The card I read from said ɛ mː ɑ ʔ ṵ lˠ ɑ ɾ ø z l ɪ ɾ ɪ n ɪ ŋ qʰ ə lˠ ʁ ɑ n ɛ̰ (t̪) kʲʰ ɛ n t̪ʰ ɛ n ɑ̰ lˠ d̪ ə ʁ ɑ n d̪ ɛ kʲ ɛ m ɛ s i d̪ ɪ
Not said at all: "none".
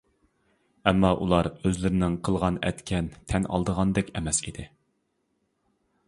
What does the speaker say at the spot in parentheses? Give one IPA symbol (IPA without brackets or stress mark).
t̪